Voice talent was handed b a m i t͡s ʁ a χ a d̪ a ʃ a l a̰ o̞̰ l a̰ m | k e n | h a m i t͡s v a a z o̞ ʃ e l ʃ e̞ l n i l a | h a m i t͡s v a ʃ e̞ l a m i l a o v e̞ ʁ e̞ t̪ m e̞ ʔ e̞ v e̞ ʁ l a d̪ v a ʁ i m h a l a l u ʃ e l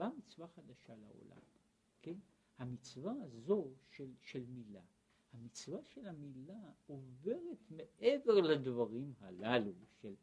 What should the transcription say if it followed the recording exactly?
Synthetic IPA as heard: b a m i t͡s v a χ a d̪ a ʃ a l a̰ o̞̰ l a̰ m | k e n | h a m i t͡s v a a z o̞ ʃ e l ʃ e̞ l m i l a | h a m i t͡s v a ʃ e̞ l a m i l a o v e̞ ʁ e̞ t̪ m e̞ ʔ e̞ v e̞ ʁ l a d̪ v a ʁ i m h a l a l u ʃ e l